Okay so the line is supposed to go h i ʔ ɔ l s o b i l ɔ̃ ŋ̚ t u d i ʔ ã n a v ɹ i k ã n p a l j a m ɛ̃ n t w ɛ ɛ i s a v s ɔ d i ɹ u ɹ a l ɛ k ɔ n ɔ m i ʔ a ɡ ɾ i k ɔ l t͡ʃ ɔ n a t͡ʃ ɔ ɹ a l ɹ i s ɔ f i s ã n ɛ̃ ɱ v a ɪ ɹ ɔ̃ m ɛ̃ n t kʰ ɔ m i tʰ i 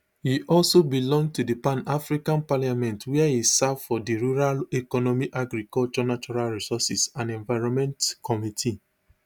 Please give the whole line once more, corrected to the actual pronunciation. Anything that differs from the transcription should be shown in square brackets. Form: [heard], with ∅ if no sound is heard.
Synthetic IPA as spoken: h i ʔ ɔ l s o b i l ɔ̃ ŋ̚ t u d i [p] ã n a [f] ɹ i k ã n p a l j a m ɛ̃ n t w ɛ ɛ i s a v [f] ɔ d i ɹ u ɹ a l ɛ k ɔ n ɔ m i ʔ a ɡ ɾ i k ɔ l t͡ʃ ɔ n a t͡ʃ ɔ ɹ a l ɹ i s ɔ [s] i s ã n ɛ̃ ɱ v a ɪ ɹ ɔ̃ m ɛ̃ n t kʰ ɔ m i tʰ i